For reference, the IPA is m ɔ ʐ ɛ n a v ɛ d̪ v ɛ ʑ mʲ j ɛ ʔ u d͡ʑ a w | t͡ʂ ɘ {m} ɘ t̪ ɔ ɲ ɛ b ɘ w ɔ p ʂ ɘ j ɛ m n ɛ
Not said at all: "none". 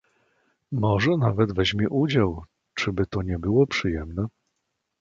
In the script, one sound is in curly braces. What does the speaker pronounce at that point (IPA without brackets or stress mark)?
b